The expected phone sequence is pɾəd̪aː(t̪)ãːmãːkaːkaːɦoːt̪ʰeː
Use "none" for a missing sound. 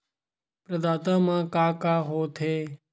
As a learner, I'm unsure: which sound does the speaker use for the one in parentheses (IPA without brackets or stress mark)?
t̪